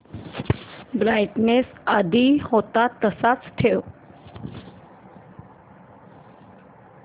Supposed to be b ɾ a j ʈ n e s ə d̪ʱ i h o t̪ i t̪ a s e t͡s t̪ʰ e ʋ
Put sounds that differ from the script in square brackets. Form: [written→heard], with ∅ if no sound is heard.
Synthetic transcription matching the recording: b ɾ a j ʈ n e s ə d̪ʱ i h o t̪ [i→a] t̪ [a→ə] s [e→a] t͡s t̪ʰ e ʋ